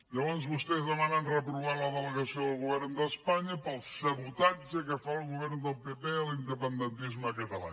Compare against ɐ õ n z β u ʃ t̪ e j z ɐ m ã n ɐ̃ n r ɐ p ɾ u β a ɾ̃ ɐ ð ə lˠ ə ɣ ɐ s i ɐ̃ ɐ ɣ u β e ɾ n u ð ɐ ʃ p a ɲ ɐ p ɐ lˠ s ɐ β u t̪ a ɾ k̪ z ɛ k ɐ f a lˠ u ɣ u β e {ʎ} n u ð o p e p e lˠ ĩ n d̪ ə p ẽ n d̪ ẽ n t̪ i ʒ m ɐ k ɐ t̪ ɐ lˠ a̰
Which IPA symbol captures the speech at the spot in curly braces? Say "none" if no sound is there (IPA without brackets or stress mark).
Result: ɾ